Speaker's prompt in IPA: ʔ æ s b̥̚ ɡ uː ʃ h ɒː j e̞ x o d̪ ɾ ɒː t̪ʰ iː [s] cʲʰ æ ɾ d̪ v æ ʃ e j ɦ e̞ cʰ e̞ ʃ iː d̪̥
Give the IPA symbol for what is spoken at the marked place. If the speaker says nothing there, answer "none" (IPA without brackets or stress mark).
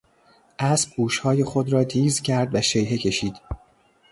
z